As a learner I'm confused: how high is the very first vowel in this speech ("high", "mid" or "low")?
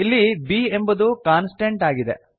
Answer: high